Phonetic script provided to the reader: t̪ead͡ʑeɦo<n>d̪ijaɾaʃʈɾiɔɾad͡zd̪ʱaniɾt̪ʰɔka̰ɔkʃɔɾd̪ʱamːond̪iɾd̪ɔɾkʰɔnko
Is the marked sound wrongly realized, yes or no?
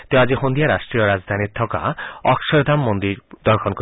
no